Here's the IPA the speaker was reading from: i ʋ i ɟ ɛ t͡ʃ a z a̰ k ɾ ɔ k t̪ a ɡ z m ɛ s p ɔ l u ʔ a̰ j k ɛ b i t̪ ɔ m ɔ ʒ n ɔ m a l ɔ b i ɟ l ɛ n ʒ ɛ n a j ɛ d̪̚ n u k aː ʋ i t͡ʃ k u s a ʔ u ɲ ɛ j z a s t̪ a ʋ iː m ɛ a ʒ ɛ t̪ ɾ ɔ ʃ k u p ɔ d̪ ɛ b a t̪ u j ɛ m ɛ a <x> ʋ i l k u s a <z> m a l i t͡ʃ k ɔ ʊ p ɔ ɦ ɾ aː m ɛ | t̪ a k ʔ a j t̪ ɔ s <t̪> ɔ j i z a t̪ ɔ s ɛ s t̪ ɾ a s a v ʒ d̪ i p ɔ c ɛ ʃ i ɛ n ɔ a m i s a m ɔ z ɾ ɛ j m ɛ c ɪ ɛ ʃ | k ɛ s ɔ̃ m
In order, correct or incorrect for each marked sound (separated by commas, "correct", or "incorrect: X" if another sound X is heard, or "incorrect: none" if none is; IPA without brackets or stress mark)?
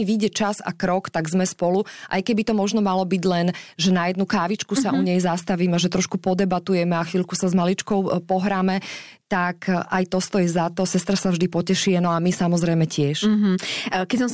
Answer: correct, correct, correct